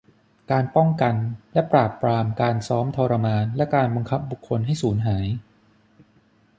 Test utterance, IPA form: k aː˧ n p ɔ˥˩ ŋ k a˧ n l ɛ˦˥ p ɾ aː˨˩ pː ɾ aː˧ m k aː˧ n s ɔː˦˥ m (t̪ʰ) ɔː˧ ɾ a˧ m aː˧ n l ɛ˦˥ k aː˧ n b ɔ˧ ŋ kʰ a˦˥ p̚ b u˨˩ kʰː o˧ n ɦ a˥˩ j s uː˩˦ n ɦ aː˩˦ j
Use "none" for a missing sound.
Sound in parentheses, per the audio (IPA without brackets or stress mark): t̪ʰ